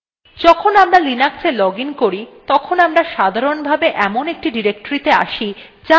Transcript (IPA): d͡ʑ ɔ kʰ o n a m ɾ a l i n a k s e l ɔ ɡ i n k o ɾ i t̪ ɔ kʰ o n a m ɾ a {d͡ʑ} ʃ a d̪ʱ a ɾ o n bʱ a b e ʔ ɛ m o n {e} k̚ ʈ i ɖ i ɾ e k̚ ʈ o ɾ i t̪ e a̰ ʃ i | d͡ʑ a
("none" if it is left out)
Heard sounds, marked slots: none, e

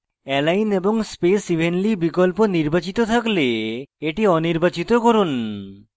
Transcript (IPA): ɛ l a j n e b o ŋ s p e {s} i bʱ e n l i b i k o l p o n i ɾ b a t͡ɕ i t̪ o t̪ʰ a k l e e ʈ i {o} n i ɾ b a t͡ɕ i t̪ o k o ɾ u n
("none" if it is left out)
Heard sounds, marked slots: s, ɔ

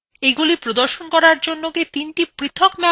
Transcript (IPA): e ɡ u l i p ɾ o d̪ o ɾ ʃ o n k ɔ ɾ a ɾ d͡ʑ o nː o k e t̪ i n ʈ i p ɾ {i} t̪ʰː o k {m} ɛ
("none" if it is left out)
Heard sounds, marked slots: i, m

